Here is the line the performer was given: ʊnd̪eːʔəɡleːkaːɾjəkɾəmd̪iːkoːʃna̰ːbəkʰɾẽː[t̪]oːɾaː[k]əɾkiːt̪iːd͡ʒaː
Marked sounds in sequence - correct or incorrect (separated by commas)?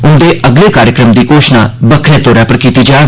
correct, incorrect